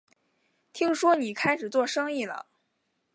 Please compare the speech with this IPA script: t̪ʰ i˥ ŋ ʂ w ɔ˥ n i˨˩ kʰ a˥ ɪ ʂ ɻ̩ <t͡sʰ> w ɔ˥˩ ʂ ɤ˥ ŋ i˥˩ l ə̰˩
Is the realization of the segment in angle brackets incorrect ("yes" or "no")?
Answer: yes